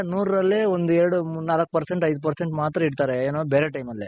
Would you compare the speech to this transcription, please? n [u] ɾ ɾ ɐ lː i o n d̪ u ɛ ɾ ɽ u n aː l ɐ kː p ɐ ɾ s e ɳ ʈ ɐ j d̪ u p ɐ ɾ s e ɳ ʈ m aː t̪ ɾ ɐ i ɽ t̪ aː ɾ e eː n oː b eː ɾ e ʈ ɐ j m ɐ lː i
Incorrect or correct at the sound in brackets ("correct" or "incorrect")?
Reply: incorrect